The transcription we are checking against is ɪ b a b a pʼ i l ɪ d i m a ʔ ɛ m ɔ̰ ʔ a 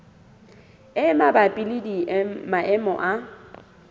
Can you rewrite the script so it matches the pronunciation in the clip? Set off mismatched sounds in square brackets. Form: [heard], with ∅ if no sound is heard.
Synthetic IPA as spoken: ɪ [m] a b a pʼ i l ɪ d i m a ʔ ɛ m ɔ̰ ʔ a